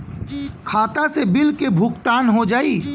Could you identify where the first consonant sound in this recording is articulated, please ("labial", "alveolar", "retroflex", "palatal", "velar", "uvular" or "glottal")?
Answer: velar